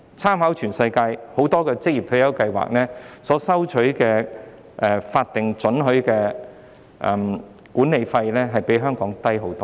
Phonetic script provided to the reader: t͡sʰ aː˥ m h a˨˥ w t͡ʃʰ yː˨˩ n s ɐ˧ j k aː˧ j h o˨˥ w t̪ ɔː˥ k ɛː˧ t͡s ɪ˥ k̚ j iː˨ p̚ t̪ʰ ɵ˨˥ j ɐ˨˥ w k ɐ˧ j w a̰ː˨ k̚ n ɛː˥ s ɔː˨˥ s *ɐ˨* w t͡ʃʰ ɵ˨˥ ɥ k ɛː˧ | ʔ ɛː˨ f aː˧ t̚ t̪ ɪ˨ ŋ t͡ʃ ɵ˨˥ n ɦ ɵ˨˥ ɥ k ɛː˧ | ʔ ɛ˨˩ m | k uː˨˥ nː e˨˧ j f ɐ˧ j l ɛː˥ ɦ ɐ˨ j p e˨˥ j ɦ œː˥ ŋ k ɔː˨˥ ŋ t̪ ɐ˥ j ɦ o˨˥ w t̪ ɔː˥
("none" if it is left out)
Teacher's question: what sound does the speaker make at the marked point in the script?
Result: ɐ˥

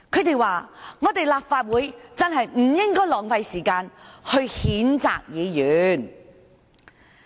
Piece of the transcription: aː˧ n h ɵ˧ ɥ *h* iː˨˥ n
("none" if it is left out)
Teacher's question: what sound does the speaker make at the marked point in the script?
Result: h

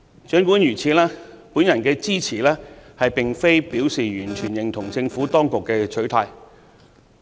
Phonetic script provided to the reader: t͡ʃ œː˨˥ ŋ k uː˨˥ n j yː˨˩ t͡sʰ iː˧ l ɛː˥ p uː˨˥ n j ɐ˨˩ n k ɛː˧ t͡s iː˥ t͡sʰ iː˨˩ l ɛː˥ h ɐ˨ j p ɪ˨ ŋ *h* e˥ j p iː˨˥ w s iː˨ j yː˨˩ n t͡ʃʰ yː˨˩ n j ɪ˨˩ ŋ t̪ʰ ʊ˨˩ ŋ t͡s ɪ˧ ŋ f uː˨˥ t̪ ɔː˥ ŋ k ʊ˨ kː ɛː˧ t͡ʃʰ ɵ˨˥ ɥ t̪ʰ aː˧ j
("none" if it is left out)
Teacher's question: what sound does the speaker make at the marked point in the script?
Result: f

